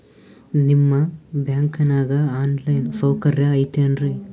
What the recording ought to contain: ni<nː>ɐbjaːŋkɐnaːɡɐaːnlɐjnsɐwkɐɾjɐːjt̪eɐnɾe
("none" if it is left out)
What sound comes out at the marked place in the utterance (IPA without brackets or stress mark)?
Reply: mː